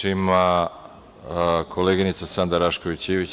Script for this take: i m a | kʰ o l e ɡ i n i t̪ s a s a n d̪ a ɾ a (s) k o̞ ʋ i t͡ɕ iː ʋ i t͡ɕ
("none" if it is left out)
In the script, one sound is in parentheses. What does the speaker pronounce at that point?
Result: ʃ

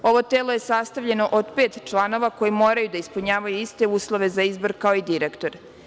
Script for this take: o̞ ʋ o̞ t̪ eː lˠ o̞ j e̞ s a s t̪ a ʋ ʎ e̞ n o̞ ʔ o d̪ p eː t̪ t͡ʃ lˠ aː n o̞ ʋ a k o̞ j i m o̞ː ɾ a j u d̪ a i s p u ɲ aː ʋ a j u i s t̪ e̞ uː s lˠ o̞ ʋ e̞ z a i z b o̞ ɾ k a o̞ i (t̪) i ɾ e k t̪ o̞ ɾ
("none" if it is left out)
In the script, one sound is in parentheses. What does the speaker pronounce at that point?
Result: d̪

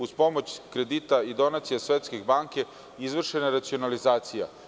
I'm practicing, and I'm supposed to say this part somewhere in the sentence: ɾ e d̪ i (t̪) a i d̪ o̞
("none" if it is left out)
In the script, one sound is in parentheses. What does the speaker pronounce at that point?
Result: t̪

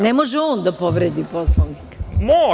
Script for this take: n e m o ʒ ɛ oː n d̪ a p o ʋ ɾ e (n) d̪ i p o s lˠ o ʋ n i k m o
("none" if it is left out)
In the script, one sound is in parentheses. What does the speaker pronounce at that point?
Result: none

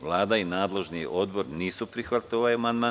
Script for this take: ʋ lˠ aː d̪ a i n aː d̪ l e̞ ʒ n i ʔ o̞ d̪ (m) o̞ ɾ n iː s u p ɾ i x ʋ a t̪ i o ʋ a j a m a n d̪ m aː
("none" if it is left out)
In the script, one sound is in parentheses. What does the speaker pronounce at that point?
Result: b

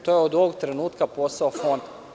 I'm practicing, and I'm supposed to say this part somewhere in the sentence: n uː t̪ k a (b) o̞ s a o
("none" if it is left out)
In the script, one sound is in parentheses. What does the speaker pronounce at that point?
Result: p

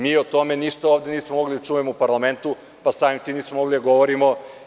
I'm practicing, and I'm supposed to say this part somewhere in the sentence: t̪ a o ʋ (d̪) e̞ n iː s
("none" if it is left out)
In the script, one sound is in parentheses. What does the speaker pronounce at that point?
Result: d̪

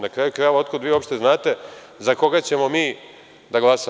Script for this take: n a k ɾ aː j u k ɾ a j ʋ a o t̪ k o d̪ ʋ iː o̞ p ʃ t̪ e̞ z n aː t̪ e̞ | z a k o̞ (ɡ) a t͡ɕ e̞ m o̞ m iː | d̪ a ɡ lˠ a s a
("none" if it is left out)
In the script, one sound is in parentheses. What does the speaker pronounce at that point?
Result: ɡ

